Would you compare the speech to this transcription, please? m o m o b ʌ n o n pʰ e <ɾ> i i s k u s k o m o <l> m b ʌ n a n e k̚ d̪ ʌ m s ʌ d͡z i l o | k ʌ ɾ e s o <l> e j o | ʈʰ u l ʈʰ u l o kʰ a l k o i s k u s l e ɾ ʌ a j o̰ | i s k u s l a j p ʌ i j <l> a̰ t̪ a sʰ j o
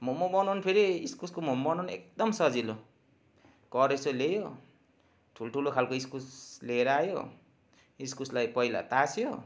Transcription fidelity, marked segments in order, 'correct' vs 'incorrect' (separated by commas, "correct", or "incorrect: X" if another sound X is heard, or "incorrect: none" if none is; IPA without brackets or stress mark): correct, incorrect: none, correct, correct